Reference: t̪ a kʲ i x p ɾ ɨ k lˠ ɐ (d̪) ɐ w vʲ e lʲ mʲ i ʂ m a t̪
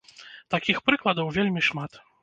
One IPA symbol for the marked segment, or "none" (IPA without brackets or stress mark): d̪